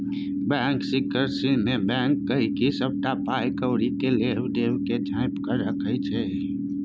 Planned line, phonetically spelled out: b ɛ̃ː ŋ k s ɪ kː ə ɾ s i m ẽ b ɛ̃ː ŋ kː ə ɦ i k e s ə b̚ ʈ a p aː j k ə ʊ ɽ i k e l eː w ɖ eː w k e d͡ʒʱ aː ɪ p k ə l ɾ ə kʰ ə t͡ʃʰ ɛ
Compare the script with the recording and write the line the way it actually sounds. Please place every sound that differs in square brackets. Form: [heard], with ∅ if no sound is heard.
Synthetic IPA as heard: b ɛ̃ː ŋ k s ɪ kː ə ɾ s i m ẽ b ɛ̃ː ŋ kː ə ɦ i k [i] s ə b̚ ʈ a p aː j k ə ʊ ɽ i k e l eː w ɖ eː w k e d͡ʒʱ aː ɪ p k ə [∅] ɾ ə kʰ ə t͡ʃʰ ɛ